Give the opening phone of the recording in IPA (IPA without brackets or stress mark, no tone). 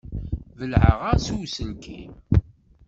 v